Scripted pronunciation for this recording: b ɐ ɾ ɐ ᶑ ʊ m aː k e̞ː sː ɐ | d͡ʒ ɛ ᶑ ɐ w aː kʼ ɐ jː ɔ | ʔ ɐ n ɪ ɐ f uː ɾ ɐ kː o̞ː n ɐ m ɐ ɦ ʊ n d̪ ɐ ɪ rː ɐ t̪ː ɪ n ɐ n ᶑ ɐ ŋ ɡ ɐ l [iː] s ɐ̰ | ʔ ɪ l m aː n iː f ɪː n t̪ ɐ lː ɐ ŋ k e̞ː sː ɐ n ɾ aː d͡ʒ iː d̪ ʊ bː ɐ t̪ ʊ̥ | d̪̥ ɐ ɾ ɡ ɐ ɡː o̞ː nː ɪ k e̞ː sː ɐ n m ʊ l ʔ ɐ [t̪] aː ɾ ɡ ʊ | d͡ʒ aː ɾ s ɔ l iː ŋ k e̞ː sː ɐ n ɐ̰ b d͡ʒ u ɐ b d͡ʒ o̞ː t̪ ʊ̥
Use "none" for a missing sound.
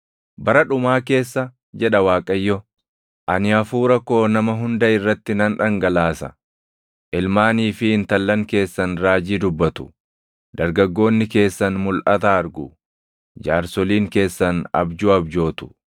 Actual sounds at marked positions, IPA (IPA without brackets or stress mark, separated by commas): aː, t̪